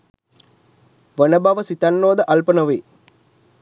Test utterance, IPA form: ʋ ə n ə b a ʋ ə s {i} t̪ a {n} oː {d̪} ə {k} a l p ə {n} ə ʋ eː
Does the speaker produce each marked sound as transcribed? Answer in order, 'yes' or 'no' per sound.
yes, no, yes, no, yes

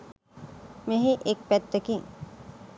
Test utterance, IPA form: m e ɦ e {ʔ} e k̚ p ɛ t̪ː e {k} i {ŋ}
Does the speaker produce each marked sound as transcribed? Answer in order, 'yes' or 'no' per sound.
yes, yes, yes

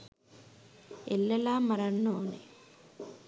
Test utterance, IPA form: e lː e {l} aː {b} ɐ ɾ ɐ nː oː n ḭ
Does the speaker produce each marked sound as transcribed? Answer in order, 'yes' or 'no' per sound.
yes, no

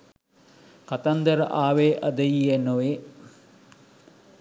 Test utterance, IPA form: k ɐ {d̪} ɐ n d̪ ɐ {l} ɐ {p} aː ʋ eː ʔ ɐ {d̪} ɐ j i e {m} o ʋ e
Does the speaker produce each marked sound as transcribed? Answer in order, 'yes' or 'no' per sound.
no, no, no, yes, no

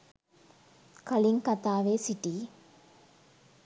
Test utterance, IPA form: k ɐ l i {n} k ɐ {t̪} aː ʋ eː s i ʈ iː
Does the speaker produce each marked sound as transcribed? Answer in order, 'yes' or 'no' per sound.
no, yes

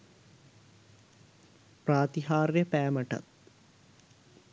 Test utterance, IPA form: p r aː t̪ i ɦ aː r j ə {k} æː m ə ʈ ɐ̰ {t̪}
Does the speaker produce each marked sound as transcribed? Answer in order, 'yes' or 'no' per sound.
no, yes

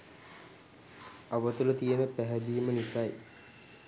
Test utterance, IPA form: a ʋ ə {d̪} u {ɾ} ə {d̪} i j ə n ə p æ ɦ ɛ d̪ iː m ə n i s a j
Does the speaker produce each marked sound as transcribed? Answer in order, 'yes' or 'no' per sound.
no, no, no

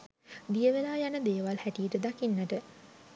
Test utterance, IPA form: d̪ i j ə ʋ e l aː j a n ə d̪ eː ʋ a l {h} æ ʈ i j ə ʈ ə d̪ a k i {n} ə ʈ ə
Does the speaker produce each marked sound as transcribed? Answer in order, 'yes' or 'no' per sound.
yes, no

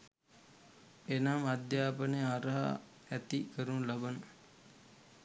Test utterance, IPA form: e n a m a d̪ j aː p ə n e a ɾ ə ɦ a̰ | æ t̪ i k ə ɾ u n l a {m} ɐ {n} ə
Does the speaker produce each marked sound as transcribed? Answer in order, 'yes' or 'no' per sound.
no, yes

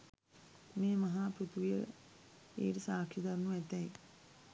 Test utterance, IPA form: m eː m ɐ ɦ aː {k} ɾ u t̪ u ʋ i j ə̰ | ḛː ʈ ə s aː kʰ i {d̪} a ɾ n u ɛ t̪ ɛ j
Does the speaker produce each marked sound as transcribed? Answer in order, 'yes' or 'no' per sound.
no, yes

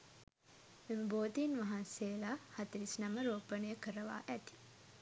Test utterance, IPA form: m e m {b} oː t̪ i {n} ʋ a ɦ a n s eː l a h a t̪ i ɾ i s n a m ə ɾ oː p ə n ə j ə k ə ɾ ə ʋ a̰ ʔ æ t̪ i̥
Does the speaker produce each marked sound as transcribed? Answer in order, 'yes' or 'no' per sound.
yes, yes

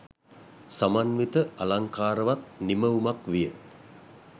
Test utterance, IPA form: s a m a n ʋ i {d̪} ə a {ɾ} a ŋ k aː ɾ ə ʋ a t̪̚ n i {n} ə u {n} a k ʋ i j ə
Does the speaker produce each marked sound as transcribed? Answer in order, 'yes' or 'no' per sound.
no, no, no, no

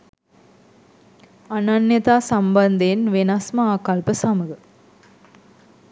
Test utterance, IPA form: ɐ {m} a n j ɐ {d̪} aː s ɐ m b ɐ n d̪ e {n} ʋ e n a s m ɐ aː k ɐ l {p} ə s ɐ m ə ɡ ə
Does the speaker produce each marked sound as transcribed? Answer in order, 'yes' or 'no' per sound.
no, no, yes, yes

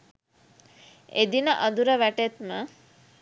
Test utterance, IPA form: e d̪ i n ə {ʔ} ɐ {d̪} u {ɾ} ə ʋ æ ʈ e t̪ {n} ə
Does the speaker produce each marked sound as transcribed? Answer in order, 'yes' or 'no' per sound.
yes, yes, yes, no

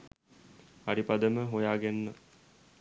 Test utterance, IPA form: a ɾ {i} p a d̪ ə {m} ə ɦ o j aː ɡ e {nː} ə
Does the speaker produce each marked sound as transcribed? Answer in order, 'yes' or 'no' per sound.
yes, yes, yes

